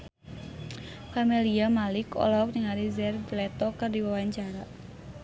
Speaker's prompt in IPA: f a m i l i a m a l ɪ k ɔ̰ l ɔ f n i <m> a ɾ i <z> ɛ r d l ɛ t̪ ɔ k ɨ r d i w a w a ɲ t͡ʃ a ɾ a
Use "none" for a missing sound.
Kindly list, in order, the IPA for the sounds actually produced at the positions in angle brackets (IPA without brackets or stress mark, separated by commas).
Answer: ŋ, z